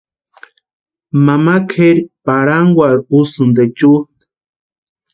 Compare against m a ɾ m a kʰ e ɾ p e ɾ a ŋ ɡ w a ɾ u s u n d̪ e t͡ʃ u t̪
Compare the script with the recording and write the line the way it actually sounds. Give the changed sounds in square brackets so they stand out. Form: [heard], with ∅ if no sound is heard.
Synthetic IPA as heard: m a [∅] m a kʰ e ɾ p [a] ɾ a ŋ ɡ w a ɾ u s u n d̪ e t͡ʃ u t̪